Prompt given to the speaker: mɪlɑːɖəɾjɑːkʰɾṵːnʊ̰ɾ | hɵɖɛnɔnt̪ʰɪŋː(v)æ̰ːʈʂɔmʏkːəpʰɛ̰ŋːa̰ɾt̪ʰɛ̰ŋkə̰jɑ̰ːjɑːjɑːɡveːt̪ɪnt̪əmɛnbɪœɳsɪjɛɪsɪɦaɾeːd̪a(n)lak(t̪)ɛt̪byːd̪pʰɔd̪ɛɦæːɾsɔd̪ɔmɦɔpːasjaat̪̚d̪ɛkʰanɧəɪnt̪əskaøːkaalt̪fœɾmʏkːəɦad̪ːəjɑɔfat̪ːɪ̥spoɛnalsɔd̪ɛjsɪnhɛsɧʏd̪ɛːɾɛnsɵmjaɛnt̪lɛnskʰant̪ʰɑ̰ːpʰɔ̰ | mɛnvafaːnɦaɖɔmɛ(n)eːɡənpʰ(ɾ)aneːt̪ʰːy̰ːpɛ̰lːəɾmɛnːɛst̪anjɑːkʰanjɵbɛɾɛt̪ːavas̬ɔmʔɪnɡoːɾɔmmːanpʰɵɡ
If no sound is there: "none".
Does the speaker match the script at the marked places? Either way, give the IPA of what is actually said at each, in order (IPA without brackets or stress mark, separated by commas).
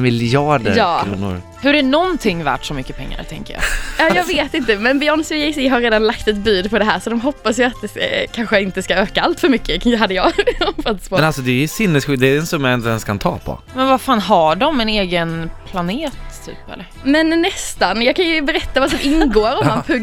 v, n, t̪, n, l